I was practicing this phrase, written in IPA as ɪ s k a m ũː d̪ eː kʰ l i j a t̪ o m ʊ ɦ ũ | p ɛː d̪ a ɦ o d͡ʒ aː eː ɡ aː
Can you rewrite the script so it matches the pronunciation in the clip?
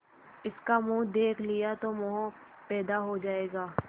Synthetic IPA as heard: ɪ s k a m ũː d̪ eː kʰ l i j a t̪ o m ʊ ɦ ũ | p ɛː d̪ a ɦ o d͡ʒ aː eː ɡ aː